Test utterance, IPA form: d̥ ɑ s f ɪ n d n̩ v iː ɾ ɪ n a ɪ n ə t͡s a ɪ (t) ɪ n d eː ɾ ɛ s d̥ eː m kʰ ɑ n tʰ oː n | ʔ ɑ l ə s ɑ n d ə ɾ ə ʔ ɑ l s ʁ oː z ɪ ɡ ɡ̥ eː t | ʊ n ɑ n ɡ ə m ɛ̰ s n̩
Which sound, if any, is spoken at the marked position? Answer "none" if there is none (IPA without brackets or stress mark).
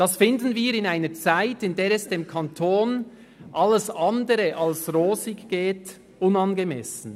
t